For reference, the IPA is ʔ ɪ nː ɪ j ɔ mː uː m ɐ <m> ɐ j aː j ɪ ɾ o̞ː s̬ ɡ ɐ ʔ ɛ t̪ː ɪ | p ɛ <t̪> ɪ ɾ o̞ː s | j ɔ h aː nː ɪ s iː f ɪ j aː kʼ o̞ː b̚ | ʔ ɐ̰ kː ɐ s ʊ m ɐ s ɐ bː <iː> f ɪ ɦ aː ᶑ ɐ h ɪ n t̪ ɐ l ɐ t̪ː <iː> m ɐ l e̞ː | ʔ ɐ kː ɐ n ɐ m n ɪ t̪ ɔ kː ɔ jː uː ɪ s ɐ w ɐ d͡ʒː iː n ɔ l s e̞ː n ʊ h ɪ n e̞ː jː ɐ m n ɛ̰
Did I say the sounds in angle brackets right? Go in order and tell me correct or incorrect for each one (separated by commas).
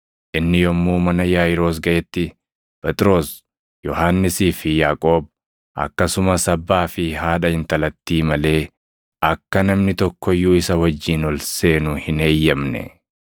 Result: incorrect, incorrect, incorrect, correct